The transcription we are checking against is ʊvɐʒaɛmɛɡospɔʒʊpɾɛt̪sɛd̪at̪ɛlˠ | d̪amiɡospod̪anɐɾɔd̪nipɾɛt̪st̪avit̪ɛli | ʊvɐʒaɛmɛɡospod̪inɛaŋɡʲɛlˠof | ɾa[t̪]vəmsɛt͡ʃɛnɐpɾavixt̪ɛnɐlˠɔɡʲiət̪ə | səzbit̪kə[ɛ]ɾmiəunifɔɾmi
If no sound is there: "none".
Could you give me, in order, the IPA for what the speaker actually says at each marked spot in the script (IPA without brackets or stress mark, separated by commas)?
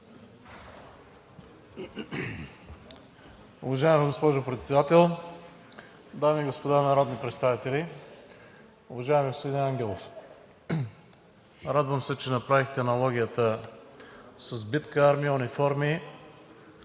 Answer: d̪, a